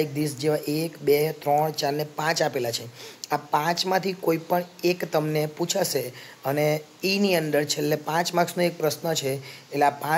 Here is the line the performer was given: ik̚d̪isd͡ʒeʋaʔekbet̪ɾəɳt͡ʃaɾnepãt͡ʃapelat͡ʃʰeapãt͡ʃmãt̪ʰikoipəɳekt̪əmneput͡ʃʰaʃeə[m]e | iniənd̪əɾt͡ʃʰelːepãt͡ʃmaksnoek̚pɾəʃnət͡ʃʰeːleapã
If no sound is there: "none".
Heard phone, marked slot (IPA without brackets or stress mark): n